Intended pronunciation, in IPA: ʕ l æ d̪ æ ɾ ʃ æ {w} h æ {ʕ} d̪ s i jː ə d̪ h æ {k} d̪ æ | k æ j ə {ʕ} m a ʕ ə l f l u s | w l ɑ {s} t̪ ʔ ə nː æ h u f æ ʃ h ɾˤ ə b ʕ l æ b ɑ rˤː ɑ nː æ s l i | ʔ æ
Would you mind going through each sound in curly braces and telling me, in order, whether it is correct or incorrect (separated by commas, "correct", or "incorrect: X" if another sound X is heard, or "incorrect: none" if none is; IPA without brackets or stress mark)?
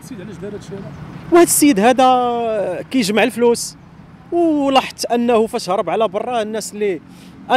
correct, incorrect: none, incorrect: none, incorrect: ʒ, incorrect: ħ